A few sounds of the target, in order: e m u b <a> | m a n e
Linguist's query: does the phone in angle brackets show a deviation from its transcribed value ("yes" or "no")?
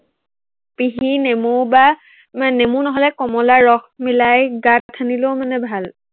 no